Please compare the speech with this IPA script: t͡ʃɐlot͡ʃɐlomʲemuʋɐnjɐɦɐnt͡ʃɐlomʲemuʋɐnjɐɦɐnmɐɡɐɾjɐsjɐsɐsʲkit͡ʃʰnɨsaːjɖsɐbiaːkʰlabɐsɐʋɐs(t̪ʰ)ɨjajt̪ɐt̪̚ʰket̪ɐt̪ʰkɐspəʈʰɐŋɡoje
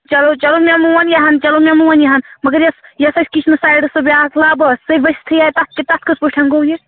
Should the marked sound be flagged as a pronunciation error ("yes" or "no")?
no